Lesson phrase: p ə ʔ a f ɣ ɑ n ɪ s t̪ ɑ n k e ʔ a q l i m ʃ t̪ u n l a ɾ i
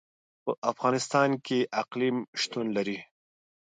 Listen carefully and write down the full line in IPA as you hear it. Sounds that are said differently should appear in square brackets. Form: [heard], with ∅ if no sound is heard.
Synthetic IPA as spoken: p ə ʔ a f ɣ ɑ n ɪ s t̪ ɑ n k e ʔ a q l i m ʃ t̪ u n l a ɾ i